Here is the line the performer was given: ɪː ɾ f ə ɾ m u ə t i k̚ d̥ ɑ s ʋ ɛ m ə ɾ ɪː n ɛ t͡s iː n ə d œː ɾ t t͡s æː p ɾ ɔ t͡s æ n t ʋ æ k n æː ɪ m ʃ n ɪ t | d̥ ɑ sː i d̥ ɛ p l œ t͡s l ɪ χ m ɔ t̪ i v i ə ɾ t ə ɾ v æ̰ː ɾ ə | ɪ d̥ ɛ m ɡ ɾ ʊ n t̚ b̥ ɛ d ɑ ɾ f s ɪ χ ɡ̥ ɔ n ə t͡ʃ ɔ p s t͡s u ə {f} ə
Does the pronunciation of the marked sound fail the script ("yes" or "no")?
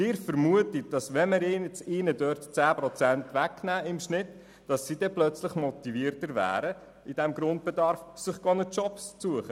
yes